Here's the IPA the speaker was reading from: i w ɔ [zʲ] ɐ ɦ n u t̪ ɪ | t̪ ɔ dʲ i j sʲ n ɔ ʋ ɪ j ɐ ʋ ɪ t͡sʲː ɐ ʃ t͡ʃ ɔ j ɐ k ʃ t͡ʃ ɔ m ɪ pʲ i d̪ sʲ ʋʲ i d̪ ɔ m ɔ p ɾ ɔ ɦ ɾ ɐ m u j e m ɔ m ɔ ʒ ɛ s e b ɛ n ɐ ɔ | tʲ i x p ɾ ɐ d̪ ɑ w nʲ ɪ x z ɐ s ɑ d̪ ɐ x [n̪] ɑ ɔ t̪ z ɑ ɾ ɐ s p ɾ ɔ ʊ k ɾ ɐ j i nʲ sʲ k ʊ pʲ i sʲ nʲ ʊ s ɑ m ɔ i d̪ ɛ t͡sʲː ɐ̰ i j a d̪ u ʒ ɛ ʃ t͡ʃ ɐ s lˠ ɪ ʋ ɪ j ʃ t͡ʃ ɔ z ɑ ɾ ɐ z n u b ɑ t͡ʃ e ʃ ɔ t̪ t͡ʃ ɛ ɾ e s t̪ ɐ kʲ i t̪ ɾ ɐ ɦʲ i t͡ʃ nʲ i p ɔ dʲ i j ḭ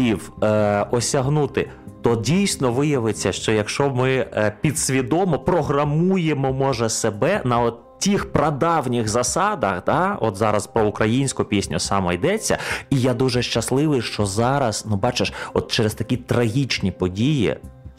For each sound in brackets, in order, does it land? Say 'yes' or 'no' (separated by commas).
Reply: no, no